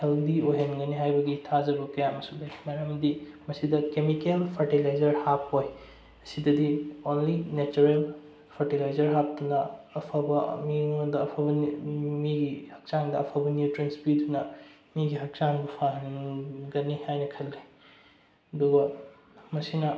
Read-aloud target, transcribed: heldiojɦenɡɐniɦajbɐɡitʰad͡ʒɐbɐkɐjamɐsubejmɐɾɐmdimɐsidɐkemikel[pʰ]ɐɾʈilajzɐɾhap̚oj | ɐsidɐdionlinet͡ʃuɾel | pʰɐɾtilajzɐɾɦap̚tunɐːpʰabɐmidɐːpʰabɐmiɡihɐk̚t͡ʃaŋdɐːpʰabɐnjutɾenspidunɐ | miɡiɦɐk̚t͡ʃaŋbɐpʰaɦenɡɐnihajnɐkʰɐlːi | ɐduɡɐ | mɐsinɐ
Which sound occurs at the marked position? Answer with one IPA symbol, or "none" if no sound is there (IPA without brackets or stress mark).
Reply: pʰ